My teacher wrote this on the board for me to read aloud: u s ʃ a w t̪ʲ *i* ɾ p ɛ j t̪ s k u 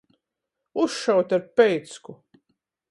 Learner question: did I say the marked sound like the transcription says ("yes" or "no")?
no